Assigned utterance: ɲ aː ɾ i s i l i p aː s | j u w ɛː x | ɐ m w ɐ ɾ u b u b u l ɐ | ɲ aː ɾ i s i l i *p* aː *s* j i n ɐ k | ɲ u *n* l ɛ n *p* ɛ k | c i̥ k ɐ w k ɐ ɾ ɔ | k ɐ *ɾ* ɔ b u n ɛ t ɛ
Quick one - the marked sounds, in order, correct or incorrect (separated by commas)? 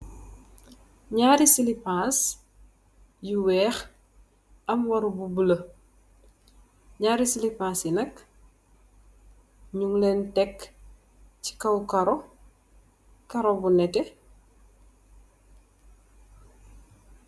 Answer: correct, correct, incorrect, incorrect, correct